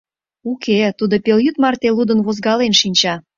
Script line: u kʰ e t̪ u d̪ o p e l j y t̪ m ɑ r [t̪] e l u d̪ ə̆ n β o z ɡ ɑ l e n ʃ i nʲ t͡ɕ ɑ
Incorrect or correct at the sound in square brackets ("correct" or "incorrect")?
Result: correct